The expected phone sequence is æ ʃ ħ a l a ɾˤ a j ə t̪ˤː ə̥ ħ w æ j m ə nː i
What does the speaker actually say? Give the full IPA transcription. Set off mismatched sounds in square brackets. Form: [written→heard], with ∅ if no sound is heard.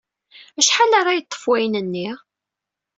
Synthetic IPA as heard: æ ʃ ħ a l a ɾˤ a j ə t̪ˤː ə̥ [ħ→f] w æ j [m→n] ə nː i

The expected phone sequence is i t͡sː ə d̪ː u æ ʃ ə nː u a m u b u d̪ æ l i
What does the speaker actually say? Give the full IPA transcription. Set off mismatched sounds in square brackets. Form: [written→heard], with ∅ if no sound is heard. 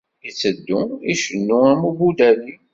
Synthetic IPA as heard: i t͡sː ə d̪ː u [æ→i] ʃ ə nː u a m u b u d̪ æ l i

